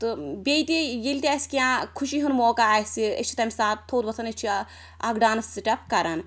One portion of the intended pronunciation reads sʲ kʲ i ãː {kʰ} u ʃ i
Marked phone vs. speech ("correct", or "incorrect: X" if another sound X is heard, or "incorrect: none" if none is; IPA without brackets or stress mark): correct